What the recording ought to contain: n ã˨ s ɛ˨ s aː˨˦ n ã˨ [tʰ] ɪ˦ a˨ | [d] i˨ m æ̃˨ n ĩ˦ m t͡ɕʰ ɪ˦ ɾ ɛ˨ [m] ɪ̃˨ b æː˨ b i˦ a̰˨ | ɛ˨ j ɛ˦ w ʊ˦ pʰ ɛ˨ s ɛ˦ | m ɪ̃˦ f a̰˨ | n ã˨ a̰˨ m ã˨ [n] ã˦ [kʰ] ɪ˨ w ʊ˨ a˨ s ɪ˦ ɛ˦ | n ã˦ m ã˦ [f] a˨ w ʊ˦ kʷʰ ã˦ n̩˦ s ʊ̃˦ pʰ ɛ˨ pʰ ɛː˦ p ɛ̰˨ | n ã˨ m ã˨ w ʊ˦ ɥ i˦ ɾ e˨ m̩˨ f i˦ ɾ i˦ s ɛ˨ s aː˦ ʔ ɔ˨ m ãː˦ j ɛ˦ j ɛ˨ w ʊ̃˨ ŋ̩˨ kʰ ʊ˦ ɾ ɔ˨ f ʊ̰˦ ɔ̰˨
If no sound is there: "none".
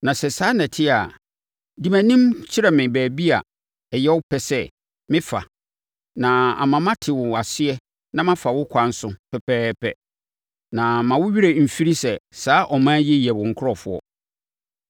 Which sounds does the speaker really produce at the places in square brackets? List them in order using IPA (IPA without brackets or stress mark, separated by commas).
tʰ, d, m, m, tʰ, f